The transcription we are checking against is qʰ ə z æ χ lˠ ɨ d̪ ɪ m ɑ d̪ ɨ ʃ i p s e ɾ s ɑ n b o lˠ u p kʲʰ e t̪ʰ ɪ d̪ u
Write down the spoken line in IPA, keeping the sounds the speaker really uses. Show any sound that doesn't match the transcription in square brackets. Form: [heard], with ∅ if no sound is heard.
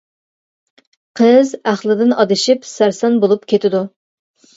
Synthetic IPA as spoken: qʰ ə z æ χ lˠ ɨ d̪ ɪ [n] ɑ d̪ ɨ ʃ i p s [æ] ɾ s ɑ n b o lˠ u p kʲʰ e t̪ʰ ɪ d̪ u

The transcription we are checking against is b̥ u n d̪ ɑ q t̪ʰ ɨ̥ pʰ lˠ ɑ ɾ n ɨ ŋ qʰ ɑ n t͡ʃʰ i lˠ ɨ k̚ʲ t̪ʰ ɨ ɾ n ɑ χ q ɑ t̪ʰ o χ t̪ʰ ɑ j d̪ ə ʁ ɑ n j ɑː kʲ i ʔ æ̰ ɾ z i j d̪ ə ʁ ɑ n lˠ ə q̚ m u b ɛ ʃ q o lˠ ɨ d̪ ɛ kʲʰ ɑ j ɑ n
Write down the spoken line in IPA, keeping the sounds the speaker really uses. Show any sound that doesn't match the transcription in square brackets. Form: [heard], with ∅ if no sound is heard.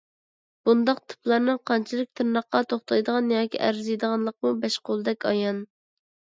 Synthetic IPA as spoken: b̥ u n d̪ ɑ q t̪ʰ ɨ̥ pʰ lˠ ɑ ɾ n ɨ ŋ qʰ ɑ n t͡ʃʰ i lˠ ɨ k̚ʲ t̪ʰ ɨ ɾ n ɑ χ q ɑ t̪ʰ o χ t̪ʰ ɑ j d̪ ə ʁ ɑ n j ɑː kʲ i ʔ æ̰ ɾ z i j d̪ ə ʁ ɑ n lˠ ə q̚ m u b ɛ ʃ q o lˠ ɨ d̪ ɛ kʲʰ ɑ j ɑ n

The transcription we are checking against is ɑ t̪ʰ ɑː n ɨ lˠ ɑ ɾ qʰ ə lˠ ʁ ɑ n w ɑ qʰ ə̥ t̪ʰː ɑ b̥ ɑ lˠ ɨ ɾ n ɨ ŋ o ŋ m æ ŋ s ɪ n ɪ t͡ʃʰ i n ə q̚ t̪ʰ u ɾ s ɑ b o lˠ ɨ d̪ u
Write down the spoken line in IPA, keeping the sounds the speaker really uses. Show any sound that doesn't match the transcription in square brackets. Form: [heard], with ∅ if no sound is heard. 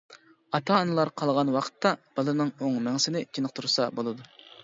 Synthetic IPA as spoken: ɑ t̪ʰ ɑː n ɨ lˠ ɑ ɾ qʰ [ɑ] lˠ ʁ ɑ n w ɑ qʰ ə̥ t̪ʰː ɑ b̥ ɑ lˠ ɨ ɾ n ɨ ŋ o ŋ m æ ŋ s ɪ n ɪ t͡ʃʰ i n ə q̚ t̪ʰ u ɾ s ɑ b o lˠ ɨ d̪ u

